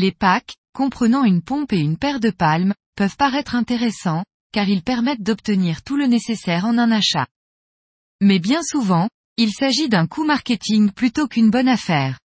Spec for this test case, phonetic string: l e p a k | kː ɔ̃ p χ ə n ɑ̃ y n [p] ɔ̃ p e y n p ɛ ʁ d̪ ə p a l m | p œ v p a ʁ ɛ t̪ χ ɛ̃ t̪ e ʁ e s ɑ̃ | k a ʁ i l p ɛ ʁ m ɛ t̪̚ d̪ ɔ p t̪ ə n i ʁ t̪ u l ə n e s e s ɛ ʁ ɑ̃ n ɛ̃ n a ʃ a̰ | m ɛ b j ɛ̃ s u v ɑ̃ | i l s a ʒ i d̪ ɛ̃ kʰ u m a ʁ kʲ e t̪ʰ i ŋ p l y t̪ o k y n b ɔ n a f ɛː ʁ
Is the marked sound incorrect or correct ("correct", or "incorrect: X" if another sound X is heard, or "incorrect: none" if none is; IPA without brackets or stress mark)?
correct